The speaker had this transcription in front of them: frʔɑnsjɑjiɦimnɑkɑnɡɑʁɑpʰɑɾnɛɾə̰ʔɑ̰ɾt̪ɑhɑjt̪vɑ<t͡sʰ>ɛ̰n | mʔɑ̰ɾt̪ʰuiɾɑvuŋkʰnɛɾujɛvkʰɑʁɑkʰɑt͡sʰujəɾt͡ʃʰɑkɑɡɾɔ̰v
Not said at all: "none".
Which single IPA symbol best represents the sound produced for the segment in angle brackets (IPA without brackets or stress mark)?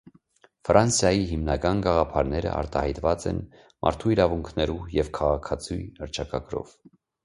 t͡s